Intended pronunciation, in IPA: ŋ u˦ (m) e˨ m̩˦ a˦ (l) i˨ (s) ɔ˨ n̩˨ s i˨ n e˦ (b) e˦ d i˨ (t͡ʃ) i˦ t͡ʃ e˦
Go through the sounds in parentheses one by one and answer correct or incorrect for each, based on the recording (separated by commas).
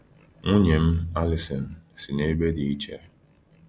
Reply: incorrect, correct, correct, correct, incorrect